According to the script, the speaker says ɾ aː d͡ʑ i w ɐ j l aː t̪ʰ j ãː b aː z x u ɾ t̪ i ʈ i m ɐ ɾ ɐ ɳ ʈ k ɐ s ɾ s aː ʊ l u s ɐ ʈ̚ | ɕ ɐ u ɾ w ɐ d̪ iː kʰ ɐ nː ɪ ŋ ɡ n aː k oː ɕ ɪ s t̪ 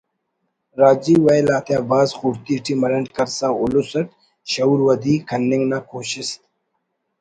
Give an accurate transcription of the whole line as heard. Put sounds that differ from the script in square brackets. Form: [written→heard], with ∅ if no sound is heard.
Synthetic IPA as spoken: ɾ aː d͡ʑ i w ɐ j l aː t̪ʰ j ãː b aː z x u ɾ t̪ i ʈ i m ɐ ɾ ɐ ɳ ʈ k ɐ [s→∅] ɾ s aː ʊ l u s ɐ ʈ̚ | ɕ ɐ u ɾ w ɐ d̪ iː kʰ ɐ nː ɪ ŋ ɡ n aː k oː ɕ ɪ s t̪